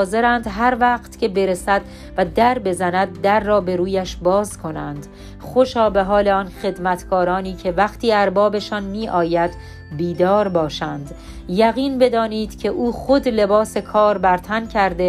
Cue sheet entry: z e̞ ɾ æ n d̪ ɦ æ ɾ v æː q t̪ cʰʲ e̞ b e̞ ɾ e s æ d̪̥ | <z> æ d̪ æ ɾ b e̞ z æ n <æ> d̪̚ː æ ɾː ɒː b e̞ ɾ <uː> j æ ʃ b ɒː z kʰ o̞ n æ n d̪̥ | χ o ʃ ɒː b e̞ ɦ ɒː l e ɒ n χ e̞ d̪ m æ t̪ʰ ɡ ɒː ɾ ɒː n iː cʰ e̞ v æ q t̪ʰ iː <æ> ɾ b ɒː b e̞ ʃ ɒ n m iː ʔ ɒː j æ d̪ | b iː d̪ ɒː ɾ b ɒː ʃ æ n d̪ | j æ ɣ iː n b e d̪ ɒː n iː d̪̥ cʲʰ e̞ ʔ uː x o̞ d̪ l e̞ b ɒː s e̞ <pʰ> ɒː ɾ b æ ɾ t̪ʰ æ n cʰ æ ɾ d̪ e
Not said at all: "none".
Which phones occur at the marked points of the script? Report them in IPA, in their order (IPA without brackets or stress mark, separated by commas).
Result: v, æ, uː, æ, kʰ